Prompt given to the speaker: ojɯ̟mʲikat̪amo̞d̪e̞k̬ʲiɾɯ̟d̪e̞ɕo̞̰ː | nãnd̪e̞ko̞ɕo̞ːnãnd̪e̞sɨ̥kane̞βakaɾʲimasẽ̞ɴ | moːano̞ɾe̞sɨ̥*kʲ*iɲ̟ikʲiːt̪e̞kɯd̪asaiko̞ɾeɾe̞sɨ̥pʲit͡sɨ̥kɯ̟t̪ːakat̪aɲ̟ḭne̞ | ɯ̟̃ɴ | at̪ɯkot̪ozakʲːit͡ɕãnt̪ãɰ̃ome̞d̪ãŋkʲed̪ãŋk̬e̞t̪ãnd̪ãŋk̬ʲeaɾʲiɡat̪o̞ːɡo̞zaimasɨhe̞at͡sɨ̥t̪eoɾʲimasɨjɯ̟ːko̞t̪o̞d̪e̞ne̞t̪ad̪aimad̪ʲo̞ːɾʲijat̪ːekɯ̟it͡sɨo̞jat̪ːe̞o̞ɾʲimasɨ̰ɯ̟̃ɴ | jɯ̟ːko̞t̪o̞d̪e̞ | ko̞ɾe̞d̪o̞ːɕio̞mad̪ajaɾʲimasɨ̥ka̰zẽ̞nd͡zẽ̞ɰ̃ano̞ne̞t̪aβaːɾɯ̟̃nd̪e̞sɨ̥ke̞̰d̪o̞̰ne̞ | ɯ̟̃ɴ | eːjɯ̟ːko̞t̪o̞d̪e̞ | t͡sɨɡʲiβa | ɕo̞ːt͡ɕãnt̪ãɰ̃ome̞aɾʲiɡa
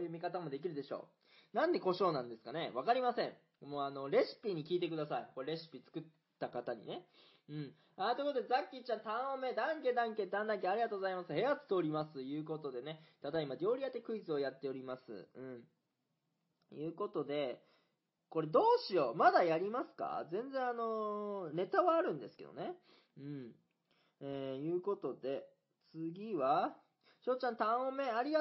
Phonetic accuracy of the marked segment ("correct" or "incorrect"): incorrect